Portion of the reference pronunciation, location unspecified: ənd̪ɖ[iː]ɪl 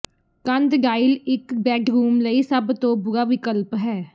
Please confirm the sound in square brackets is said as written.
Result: no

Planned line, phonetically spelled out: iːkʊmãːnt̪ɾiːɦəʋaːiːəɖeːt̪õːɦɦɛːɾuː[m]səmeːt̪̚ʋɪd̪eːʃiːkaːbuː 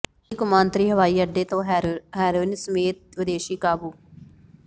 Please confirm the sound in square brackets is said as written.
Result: no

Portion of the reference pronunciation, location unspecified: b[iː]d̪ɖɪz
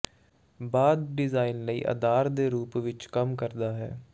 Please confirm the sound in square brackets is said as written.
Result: no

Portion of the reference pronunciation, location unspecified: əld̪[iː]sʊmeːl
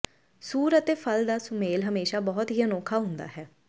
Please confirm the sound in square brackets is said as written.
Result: no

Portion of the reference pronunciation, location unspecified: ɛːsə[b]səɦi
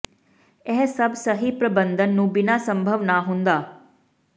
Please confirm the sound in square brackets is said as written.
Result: yes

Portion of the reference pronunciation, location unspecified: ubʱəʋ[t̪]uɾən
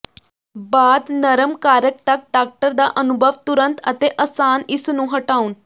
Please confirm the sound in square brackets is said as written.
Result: yes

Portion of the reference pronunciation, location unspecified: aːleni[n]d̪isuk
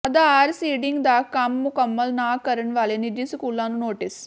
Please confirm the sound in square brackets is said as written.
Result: no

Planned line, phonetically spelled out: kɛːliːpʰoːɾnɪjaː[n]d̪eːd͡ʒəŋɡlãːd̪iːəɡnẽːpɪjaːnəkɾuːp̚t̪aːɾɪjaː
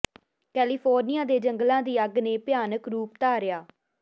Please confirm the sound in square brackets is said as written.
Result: no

